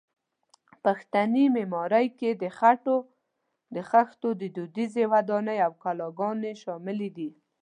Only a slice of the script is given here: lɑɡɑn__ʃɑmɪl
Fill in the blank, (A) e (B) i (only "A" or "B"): A